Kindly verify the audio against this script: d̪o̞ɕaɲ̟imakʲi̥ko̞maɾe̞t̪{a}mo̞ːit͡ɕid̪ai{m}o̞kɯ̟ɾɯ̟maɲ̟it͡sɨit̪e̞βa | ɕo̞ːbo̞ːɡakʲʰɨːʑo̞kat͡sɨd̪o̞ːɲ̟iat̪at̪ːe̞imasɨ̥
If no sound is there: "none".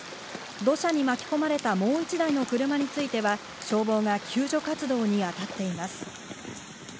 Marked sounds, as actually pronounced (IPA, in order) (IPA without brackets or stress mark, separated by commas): a, n